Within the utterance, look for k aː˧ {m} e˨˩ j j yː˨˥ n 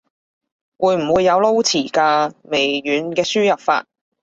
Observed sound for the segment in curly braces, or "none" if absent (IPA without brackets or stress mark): m